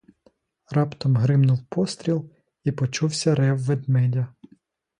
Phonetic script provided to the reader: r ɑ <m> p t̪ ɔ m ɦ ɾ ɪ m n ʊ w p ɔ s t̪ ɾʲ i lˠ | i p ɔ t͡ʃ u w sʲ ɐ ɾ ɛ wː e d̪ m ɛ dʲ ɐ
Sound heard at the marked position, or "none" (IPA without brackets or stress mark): none